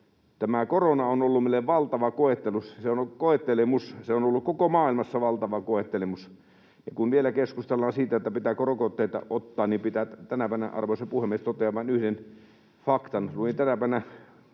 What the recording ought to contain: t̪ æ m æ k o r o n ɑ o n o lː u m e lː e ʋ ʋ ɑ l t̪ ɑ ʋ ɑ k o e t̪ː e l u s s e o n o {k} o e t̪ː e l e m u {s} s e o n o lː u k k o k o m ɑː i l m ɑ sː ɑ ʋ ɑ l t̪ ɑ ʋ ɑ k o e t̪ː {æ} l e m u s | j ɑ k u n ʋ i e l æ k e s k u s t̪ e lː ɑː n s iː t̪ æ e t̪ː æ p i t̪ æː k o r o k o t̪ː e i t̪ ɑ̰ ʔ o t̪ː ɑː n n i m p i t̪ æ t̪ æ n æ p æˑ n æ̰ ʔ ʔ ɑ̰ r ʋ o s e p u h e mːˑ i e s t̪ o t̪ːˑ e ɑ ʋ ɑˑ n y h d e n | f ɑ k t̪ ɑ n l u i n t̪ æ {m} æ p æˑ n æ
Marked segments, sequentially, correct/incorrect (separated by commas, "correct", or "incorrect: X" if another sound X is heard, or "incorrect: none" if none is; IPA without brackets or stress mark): correct, correct, incorrect: e, incorrect: n